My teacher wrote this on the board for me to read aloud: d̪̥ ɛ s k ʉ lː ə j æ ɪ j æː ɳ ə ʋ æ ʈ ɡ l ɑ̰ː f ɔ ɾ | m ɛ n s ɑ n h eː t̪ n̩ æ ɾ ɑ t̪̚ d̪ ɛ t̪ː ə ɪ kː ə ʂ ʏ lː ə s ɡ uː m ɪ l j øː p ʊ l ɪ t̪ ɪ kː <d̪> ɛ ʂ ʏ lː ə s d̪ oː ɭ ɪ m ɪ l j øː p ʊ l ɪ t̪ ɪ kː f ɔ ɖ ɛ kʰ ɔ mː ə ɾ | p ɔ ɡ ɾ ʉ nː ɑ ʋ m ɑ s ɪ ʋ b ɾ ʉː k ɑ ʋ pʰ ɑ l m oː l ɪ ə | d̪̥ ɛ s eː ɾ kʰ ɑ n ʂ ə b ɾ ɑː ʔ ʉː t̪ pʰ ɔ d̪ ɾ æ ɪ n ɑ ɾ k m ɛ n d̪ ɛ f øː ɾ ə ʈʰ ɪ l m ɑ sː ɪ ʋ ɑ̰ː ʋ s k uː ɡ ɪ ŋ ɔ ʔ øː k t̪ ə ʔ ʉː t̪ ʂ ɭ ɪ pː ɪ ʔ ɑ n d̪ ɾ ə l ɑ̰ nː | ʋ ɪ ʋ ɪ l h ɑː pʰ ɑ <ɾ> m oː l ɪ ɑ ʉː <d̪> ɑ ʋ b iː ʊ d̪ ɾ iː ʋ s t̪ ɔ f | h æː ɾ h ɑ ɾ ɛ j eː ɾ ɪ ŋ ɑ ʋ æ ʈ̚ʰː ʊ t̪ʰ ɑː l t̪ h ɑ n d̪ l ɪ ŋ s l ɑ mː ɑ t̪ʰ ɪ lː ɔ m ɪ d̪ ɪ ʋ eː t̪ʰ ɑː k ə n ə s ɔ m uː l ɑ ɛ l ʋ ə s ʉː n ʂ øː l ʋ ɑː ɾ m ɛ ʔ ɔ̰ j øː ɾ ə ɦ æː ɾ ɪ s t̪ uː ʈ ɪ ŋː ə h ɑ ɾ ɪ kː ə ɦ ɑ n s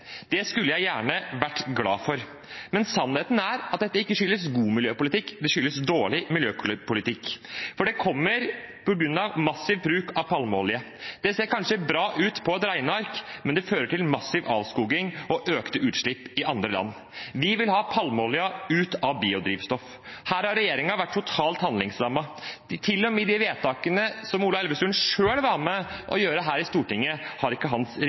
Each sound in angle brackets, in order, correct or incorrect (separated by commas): correct, incorrect, incorrect